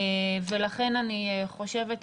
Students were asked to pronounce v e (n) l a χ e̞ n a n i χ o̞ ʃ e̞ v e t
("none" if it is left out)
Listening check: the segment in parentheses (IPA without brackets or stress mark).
none